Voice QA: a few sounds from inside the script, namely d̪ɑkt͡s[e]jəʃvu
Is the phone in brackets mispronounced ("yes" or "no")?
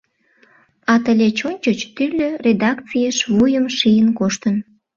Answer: yes